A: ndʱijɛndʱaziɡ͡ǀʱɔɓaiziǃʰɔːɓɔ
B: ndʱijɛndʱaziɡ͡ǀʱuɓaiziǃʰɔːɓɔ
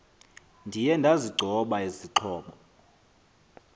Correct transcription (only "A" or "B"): A